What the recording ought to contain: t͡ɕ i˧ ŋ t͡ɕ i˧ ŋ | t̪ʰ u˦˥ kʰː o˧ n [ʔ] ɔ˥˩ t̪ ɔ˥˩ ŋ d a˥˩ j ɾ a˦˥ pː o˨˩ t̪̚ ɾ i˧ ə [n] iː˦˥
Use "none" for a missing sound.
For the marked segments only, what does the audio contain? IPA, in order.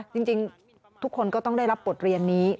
k, nː

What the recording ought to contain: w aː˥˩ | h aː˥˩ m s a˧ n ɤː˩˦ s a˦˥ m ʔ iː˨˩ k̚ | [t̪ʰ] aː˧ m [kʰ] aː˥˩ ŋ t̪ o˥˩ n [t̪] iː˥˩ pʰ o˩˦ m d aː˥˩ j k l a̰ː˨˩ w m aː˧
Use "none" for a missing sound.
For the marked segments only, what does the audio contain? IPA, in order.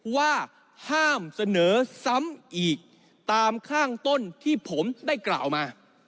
t̪, kʰ, t̪ʰ

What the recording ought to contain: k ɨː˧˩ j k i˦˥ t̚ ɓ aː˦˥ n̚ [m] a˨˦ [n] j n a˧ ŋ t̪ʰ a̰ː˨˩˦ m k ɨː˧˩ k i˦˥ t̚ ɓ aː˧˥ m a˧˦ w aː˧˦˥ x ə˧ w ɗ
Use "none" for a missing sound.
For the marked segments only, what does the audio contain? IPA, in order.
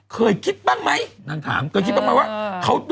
m, none

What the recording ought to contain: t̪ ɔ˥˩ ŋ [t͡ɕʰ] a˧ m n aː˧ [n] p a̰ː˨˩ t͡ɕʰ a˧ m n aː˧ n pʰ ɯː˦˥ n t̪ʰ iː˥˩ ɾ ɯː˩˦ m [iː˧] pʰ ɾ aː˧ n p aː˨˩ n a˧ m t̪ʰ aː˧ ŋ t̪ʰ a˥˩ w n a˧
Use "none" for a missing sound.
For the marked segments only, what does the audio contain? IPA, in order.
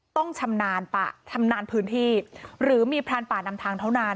t͡ɕʰ, n, iː˧

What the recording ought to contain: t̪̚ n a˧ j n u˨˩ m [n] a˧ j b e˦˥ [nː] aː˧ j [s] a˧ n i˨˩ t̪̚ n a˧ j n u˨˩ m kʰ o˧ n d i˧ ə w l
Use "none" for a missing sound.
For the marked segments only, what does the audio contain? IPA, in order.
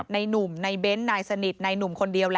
n, nː, s

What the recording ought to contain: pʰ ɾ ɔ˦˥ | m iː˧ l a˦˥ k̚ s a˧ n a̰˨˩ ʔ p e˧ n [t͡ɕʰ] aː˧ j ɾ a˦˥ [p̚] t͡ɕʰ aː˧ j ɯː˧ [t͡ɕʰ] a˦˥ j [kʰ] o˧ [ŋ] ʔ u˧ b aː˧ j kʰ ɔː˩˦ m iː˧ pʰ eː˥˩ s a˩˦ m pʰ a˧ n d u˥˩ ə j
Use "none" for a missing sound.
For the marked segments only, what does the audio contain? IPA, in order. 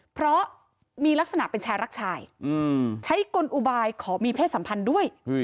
t͡ɕʰ, k̚, t͡ɕʰ, k, n

